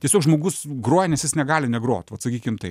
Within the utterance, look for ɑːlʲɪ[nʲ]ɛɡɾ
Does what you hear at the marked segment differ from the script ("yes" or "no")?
no